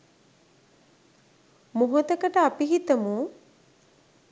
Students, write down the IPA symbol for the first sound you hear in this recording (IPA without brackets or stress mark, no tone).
m